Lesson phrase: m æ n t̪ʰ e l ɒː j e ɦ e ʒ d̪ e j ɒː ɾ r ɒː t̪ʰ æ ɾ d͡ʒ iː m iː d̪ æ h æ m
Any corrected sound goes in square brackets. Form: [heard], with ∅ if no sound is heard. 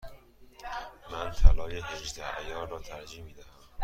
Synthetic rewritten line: m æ n t̪ʰ [æ] l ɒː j e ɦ e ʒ d̪ [æ] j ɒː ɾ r ɒː t̪ʰ æ ɾ d͡ʒ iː m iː d̪ æ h æ m